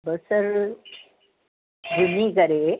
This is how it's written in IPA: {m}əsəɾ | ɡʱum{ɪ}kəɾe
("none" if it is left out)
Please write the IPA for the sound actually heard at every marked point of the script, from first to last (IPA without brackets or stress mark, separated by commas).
b, i